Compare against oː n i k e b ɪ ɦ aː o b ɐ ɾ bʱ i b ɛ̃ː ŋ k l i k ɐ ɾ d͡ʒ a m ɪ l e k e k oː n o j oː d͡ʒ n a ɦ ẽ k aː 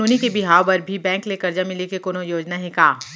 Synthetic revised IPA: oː n i k e b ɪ ɦ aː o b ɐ ɾ bʱ i b ɛ̃ː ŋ k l e k ɐ ɾ d͡ʒ a m ɪ l e k e k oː n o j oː d͡ʒ n a ɦ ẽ k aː